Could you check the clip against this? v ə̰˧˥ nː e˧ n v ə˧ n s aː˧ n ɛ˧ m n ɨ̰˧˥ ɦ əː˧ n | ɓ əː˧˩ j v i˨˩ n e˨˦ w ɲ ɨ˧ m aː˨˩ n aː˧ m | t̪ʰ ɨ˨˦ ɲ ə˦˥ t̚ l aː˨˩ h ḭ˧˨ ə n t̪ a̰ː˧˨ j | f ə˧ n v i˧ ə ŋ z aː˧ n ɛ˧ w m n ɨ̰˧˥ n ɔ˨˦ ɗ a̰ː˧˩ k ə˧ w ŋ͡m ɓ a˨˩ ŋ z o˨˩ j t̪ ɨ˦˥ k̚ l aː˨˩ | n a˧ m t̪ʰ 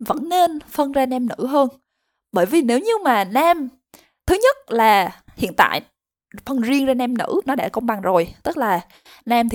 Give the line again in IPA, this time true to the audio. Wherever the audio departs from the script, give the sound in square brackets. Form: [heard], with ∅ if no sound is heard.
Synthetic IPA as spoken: v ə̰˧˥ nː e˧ n [f] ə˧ n [z] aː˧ n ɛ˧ m n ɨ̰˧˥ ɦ əː˧ n | ɓ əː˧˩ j v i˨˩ n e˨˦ w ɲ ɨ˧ m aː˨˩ n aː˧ m | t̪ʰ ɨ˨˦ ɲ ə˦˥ t̚ l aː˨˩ h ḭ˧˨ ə n t̪ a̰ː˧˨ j | f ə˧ n [z] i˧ ə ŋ z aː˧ n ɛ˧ [∅] m n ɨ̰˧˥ n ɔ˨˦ ɗ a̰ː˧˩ k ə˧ w ŋ͡m ɓ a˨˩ ŋ z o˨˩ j t̪ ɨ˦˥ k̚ l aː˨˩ | n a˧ m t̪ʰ